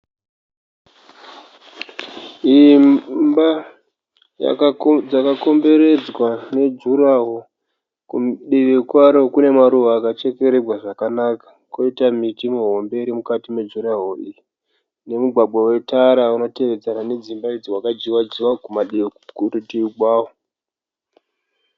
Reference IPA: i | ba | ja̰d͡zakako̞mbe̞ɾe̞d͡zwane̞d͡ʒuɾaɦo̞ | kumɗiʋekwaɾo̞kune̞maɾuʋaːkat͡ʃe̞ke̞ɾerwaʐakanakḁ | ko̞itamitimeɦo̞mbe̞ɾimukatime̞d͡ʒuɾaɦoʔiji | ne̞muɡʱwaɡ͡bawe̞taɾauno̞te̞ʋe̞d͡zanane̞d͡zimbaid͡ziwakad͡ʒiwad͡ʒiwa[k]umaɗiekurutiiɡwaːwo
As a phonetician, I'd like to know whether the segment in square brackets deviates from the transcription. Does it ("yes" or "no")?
no